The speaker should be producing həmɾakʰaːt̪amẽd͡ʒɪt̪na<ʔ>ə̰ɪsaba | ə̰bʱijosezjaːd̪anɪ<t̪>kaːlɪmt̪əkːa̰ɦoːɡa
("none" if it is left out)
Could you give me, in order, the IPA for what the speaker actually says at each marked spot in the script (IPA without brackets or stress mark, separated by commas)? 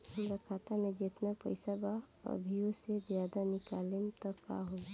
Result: p, none